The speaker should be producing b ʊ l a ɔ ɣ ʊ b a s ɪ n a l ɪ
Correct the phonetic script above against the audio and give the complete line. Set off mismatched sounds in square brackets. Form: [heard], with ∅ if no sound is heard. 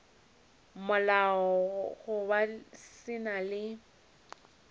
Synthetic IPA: [m] ʊ l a ɔ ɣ ʊ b a s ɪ n a l ɪ